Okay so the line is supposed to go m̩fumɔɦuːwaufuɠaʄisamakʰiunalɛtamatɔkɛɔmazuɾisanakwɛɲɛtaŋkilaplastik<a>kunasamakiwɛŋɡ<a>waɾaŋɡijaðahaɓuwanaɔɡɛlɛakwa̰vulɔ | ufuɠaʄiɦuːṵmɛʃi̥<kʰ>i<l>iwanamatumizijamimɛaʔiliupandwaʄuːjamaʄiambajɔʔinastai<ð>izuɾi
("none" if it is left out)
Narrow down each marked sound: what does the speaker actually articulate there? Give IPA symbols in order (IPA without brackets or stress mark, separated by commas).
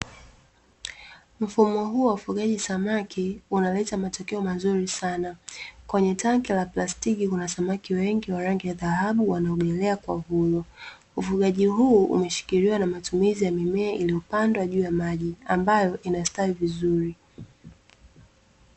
i, i, k, ɾ, v